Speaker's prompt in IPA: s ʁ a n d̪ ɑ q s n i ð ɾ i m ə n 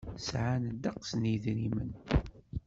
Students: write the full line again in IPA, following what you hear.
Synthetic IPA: s ʕ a n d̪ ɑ q s n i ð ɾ i m ə n